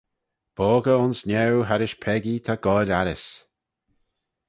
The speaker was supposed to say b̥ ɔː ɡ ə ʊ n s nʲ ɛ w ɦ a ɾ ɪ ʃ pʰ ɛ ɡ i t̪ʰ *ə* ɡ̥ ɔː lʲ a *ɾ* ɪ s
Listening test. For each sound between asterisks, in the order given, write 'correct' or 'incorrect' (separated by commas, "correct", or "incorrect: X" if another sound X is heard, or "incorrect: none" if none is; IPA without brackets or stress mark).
incorrect: a, correct